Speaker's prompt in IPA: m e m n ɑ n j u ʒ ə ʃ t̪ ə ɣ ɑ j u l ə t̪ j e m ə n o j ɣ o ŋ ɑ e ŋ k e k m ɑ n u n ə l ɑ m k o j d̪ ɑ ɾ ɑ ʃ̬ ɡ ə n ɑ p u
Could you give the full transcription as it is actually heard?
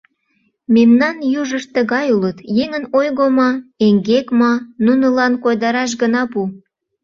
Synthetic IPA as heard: m e m n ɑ n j u ʒ ə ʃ t̪ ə ɣ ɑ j u l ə t̪ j e ŋ ə n o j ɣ o m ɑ e ŋ ɡ e k m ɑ n u n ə l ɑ n k o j d̪ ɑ ɾ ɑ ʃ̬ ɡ ə n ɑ p u